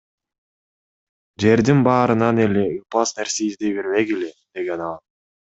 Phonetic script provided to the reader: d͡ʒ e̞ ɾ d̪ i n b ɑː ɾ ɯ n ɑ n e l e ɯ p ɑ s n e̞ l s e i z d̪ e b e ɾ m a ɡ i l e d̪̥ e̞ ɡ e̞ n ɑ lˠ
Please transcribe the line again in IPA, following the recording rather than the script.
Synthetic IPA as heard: d͡ʒ e̞ ɾ d̪ i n b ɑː ɾ ɯ n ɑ n e l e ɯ p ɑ s n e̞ ɾ s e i z d̪ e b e ɾ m e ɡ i l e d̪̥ e̞ ɡ e̞ n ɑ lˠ